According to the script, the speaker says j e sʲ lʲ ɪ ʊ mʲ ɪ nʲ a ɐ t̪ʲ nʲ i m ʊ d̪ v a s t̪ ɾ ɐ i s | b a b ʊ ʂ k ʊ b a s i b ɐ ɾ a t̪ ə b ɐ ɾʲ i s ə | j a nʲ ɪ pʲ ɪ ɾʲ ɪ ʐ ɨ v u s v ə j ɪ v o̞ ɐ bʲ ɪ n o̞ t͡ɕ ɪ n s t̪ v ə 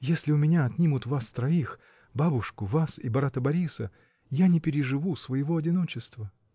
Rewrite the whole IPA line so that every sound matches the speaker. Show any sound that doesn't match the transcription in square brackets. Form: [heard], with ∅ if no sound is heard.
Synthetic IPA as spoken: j e sʲ lʲ ɪ ʊ mʲ ɪ nʲ a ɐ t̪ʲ nʲ i m ʊ [t̪] v a s t̪ ɾ ɐ i [x] | b a b ʊ ʂ k ʊ [v] a s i b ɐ ɾ a t̪ ə b ɐ ɾʲ i s ə | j a nʲ ɪ pʲ ɪ ɾʲ ɪ ʐ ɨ v u s v ə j ɪ v o̞ ɐ [dʲ] ɪ n o̞ t͡ɕ ɪ [∅] s t̪ v ə